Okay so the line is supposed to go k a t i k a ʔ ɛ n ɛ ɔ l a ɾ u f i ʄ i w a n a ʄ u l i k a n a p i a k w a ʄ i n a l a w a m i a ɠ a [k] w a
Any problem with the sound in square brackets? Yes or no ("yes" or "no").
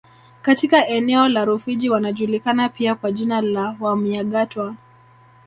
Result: yes